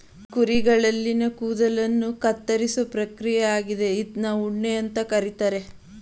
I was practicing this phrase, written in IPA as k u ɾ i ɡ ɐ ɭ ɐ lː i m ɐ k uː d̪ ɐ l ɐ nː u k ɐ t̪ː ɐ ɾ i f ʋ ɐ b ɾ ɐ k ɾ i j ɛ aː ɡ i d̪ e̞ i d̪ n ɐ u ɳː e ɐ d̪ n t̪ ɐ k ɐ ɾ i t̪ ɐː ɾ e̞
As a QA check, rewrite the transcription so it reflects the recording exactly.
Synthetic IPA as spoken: k u ɾ i ɡ ɐ ɭ ɐ lː i n ɐ k uː d̪ ɐ l ɐ nː u k ɐ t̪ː ɐ ɾ i s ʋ ɐ p ɾ ɐ k ɾ i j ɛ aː ɡ i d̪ e̞ i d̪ n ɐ u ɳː e ɐ n t̪ ɐ k ɐ ɾ i t̪ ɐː ɾ e̞